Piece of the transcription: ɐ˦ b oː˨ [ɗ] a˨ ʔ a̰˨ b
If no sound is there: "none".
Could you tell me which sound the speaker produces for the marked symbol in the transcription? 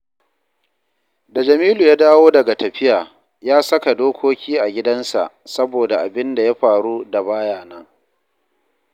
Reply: d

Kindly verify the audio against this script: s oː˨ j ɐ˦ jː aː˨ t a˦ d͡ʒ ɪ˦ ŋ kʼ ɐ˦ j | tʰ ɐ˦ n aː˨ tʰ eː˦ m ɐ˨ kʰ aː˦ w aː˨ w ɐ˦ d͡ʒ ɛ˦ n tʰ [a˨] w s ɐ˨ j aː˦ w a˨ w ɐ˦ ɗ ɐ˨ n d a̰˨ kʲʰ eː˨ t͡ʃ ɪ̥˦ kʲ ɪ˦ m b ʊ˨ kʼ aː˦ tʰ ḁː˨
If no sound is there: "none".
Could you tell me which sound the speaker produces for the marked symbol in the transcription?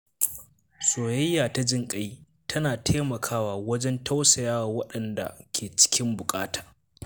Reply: a˦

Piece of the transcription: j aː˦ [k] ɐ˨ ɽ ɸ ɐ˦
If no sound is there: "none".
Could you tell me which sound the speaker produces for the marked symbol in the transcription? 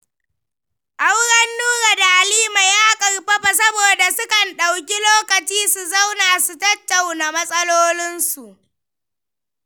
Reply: kʼ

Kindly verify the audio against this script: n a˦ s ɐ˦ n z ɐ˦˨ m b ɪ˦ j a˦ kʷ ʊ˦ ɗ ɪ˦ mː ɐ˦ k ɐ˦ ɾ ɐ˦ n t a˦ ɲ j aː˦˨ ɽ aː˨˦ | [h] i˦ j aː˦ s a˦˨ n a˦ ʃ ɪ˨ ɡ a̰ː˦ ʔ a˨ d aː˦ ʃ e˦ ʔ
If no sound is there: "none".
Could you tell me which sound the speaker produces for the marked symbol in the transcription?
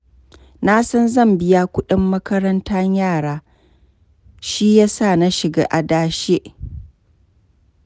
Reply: ʃ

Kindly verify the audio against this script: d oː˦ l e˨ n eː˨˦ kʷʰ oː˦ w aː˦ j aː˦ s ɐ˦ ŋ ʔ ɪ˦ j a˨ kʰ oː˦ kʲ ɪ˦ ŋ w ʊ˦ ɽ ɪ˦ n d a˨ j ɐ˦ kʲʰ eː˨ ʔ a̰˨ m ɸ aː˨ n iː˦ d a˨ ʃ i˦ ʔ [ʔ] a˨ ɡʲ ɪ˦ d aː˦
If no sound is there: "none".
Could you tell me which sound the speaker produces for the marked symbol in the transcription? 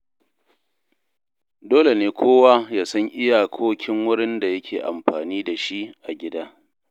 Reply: ʔ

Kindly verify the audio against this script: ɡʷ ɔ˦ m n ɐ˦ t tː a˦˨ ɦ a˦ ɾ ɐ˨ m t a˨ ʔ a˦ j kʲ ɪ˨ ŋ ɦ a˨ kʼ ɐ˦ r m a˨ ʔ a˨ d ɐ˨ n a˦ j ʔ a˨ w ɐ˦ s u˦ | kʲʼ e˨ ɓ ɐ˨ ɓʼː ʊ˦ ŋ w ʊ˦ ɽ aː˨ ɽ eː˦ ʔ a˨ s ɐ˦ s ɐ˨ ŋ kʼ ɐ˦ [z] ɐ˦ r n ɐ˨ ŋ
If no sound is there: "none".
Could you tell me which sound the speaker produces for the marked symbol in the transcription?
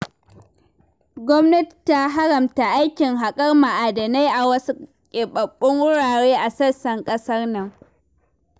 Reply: s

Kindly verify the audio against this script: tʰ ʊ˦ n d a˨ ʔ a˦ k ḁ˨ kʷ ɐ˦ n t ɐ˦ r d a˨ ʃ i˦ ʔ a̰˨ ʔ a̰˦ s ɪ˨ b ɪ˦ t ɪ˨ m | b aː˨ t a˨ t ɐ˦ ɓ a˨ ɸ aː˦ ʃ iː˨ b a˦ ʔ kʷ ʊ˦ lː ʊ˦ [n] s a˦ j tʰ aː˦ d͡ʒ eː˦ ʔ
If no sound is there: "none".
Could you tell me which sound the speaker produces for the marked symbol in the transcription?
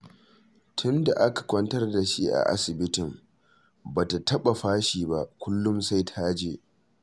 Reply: m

